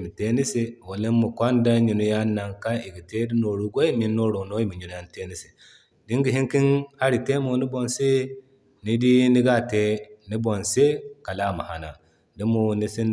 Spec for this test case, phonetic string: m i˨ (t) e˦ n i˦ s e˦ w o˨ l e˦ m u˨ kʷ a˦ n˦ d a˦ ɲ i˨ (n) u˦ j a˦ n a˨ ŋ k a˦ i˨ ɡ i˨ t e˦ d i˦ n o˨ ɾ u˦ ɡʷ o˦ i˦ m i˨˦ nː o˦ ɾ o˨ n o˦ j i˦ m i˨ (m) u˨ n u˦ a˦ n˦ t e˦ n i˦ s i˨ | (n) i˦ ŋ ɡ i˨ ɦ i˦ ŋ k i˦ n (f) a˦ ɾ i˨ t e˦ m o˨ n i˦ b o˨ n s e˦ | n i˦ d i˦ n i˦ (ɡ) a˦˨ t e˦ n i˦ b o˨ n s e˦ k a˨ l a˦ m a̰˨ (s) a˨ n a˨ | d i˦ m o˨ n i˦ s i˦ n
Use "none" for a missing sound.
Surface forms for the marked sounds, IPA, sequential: t, n, ɲ, d, h, ɡ, h

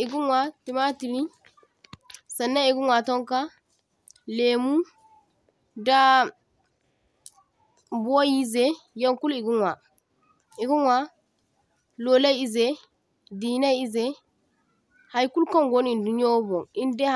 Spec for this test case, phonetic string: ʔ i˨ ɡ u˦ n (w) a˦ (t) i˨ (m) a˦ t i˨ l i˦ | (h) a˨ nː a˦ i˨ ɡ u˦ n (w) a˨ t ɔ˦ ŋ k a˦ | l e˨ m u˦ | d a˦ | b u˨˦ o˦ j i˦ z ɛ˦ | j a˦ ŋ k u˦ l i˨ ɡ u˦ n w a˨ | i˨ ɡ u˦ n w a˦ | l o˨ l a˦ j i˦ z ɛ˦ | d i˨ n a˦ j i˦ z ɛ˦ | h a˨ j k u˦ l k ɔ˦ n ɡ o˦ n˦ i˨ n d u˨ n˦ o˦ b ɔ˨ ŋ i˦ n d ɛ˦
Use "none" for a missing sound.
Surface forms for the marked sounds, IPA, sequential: w, t, m, s, w

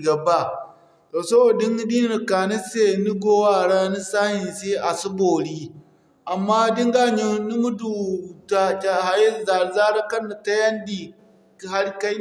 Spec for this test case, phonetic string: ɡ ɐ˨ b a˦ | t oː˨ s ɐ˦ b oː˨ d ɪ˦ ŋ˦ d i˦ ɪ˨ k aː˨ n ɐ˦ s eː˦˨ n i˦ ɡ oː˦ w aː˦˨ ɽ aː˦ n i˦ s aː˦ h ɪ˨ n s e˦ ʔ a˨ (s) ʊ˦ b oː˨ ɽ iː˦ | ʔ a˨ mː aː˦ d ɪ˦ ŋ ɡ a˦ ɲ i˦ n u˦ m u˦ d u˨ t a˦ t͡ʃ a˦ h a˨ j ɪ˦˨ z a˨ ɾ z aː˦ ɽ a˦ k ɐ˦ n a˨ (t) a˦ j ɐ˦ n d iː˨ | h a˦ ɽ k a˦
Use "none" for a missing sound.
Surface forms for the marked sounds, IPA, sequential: s, t

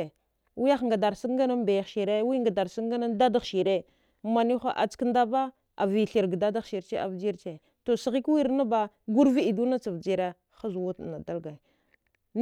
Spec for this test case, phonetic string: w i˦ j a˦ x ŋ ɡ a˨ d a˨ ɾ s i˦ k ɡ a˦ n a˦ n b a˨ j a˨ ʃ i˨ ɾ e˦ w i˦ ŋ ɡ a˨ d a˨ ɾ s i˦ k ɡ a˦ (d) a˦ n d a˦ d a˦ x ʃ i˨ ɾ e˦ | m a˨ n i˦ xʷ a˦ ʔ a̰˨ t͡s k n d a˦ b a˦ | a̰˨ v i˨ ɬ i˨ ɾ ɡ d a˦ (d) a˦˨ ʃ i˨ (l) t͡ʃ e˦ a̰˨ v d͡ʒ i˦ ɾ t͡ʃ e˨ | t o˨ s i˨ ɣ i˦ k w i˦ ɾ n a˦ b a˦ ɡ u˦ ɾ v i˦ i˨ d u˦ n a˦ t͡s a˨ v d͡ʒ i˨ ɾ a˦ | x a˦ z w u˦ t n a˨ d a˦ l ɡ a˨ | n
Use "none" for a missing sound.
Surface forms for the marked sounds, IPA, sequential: n, d, ɾ

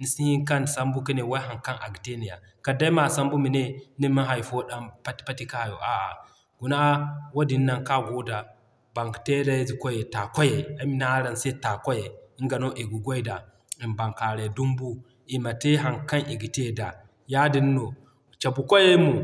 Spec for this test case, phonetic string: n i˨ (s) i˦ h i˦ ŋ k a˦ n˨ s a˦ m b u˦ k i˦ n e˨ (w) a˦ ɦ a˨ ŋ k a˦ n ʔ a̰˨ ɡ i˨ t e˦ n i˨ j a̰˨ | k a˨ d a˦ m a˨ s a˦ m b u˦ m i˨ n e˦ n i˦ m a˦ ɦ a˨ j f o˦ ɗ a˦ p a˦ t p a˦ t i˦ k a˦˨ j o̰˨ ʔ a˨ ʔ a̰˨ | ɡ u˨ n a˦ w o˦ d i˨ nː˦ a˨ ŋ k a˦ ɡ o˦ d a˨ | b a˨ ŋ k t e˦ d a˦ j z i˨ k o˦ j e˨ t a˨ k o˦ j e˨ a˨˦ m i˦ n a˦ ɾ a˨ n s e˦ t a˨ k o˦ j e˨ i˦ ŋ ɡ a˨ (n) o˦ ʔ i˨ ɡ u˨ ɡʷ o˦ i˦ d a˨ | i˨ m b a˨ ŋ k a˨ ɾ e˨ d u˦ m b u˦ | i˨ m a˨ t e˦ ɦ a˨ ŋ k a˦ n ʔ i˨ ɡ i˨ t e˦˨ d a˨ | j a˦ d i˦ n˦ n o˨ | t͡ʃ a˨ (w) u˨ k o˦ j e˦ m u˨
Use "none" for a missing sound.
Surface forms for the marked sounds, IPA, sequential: s, w, n, b

